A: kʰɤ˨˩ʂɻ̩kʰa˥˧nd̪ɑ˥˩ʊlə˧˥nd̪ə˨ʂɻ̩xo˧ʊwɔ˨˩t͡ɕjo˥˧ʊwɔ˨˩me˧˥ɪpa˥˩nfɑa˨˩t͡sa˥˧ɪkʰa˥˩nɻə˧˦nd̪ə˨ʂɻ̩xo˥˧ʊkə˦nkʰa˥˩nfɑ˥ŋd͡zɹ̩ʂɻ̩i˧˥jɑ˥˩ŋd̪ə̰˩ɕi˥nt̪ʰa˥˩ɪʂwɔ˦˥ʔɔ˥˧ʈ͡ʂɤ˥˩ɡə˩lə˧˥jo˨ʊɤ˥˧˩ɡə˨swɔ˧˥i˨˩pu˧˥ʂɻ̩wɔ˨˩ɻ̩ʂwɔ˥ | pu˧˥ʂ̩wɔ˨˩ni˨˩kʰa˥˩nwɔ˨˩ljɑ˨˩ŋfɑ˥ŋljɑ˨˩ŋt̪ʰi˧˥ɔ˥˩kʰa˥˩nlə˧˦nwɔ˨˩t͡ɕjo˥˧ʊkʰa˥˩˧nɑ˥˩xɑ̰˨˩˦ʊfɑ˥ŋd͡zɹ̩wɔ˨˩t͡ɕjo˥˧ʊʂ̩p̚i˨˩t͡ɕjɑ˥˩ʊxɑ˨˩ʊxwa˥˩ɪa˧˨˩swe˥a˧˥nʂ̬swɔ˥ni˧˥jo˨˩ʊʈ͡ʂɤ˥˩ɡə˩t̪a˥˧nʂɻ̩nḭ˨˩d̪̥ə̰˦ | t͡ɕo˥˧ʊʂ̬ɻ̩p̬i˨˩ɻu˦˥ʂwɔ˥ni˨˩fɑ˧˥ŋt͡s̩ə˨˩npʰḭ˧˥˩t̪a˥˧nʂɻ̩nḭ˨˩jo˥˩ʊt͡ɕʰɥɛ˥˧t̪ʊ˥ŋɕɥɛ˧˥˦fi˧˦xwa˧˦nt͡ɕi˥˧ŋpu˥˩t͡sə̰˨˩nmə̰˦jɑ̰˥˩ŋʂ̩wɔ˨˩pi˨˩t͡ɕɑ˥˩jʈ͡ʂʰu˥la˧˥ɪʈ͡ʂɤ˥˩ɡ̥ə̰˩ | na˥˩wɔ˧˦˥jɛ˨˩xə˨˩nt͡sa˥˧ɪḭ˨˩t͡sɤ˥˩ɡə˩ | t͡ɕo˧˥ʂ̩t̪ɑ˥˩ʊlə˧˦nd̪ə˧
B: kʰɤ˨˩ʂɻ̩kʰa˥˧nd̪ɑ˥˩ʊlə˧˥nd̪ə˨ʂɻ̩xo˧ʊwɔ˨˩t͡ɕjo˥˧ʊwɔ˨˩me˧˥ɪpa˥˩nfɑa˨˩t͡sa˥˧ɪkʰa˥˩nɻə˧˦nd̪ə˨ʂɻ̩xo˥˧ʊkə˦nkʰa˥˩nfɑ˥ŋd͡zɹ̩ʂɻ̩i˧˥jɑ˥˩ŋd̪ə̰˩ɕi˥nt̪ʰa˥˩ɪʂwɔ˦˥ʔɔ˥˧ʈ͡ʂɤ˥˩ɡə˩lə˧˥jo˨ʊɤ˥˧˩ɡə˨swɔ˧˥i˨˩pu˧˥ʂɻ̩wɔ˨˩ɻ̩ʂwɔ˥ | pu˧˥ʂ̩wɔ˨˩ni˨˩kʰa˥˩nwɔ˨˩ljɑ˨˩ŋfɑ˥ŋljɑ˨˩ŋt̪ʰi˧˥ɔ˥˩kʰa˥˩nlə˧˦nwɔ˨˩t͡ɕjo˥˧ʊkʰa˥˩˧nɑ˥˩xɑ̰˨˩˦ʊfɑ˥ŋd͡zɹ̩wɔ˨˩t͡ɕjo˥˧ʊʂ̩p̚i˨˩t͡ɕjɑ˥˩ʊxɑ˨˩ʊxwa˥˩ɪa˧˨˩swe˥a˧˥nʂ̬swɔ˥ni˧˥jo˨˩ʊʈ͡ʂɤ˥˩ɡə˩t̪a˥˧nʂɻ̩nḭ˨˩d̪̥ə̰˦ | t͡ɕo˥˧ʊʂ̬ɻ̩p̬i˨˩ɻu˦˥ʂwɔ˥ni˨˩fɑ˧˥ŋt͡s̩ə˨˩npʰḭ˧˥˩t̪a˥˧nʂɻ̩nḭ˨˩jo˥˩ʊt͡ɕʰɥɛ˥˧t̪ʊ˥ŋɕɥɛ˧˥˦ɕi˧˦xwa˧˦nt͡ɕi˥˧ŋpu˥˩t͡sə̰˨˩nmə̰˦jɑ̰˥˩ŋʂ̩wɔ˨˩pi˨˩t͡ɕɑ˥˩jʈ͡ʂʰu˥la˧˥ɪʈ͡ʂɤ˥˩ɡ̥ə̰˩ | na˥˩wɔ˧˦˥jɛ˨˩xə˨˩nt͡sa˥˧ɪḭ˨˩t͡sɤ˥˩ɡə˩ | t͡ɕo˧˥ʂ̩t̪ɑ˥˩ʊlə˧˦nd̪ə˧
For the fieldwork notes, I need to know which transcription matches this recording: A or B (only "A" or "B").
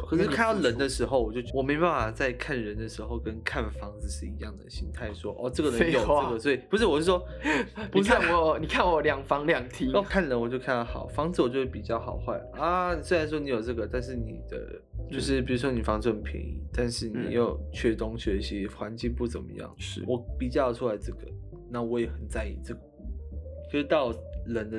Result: B